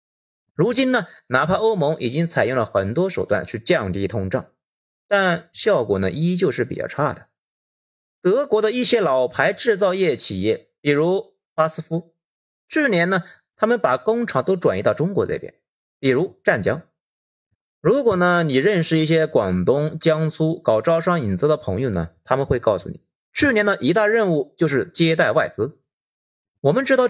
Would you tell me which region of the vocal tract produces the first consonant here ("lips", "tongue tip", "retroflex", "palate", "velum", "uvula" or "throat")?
retroflex